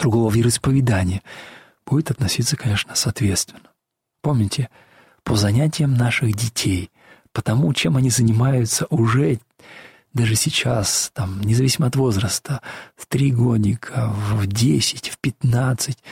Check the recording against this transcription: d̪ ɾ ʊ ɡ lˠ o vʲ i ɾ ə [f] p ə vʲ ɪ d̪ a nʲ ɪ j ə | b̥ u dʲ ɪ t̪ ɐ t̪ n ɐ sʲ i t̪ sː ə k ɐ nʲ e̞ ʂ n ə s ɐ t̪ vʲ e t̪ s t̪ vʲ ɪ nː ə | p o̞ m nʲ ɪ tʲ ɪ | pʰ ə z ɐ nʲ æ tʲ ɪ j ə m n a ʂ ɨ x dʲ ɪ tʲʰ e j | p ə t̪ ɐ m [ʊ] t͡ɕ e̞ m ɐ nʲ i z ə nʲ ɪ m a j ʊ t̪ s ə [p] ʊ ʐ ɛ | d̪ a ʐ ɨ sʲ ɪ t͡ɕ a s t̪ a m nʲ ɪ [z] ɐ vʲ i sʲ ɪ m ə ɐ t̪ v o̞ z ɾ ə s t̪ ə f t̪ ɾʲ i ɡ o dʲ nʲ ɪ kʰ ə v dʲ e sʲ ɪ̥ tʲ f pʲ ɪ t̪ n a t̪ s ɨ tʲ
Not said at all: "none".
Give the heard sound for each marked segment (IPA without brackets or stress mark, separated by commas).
s, u, ʔ, z